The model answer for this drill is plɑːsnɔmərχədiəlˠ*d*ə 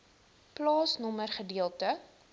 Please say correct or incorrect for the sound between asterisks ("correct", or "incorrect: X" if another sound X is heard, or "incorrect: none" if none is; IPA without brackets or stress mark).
incorrect: t